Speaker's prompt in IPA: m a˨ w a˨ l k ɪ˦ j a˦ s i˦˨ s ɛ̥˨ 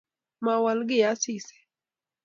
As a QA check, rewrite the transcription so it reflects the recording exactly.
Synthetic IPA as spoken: m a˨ w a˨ l ɡ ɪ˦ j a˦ s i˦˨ s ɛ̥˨